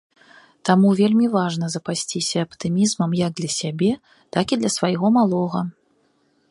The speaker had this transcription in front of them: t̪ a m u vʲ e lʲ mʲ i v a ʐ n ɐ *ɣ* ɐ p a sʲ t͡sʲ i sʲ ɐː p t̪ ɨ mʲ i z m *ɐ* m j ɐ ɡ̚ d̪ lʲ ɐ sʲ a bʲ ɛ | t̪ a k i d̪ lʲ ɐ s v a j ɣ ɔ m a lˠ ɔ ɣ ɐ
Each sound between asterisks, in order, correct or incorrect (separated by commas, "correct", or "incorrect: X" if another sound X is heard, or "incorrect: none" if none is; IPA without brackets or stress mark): incorrect: z, correct